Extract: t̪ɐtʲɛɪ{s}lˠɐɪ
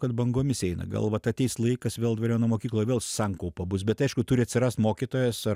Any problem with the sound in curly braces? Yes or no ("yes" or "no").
no